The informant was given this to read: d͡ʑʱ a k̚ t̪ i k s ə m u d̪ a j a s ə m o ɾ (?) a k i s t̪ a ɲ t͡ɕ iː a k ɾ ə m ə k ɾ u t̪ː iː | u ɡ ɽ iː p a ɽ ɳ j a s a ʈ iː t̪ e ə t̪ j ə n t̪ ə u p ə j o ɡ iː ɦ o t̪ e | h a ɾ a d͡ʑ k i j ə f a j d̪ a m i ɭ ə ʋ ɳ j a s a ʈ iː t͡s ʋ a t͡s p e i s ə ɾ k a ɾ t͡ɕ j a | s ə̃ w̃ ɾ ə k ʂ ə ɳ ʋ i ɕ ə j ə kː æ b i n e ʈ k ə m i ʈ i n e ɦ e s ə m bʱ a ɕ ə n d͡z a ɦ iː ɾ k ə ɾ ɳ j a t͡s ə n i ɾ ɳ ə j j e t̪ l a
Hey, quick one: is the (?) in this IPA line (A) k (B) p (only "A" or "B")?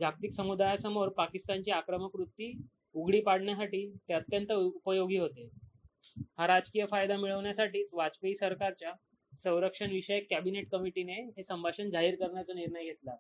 B